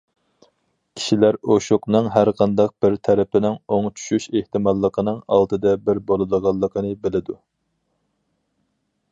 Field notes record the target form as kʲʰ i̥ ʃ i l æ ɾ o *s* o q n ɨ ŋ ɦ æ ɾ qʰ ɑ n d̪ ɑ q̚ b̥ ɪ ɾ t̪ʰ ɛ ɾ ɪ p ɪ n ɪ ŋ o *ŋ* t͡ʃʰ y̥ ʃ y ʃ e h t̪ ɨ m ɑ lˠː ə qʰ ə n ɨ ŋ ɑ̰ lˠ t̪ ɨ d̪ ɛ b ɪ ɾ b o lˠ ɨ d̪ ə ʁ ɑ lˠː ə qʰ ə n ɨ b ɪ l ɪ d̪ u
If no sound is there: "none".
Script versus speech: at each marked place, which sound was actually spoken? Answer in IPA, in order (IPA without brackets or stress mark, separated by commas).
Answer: ʃ, ŋ